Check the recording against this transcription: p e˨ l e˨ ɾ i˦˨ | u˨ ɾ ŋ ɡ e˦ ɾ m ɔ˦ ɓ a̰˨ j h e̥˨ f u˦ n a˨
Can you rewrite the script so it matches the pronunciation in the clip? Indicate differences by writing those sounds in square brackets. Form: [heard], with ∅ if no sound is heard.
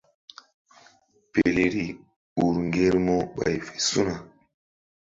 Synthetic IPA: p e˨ l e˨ ɾ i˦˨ | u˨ ɾ ŋ ɡ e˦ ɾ m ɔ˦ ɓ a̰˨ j [f] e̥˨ [s] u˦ n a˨